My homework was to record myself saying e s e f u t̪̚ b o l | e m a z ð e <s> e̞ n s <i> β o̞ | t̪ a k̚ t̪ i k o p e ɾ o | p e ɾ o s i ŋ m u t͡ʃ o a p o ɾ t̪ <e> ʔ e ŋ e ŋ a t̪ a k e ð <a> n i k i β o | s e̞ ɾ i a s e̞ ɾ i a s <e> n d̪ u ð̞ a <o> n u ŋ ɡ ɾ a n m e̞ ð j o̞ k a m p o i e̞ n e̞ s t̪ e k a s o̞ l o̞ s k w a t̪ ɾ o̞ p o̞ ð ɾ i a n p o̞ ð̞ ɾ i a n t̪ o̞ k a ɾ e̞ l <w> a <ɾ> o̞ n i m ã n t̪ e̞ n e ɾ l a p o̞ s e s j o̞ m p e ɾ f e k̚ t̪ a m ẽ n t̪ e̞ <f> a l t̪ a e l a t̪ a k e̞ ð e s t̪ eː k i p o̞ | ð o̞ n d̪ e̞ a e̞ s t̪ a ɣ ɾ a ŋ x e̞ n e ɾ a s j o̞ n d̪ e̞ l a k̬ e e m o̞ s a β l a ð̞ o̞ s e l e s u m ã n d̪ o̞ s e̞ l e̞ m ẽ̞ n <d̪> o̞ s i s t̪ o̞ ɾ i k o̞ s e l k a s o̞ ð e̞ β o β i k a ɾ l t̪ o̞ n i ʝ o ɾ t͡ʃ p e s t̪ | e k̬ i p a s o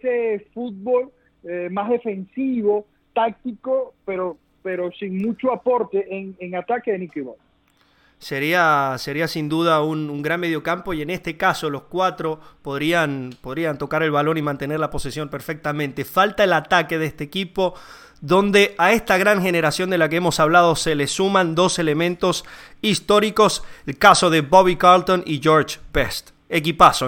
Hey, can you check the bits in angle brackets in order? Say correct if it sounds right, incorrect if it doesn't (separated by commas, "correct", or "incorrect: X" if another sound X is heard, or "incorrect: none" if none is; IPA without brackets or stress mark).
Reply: incorrect: f, correct, correct, incorrect: e, incorrect: i, incorrect: u, incorrect: β, incorrect: l, correct, incorrect: t̪